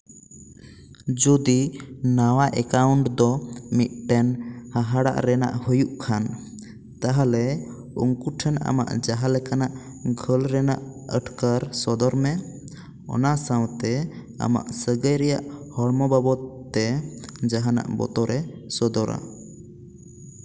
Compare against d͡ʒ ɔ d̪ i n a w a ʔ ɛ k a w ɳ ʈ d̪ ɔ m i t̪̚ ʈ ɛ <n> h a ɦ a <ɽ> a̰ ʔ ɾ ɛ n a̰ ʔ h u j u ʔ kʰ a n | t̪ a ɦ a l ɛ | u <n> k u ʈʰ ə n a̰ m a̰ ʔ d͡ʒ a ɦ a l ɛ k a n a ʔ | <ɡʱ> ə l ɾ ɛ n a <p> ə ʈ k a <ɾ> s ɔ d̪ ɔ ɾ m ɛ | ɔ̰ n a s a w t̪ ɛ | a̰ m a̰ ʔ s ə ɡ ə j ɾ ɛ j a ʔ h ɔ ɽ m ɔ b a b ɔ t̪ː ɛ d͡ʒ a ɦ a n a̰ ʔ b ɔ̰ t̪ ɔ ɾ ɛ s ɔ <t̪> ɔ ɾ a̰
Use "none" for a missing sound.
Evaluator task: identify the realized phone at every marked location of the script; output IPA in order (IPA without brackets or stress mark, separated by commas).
n, ɽ, ŋ, ɡʱ, ʔ, ɾ, d̪